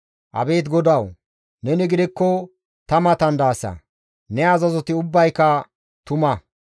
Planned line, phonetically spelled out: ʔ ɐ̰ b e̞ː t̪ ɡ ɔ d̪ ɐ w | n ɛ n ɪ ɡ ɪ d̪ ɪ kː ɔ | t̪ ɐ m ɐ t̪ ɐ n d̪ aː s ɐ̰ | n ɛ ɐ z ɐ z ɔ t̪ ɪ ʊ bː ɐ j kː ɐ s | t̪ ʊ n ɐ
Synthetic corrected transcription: ʔ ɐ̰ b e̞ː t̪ ɡ ɔ d̪ ɐ w | n ɛ n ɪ ɡ ɪ d̪ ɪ kː ɔ | t̪ ɐ m ɐ t̪ ɐ n d̪ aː s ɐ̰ | n ɛ ɐ z ɐ z ɔ t̪ ɪ ʊ bː ɐ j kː ɐ | t̪ ʊ m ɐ